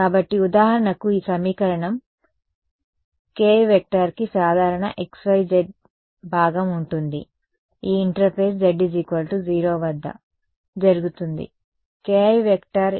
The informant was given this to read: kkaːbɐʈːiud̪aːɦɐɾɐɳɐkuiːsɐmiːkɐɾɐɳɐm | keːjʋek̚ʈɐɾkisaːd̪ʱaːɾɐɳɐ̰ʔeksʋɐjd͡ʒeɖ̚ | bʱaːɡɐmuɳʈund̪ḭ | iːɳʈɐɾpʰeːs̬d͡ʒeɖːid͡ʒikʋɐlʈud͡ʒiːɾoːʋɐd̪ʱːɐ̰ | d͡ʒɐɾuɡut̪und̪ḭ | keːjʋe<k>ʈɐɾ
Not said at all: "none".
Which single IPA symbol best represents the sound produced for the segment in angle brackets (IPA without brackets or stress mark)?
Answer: k